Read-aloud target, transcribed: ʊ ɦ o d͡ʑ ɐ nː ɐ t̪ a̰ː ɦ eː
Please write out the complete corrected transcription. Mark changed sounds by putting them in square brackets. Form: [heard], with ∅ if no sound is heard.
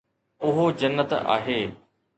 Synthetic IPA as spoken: ʊ ɦ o d͡ʑ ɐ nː [ə] t̪ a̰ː ɦ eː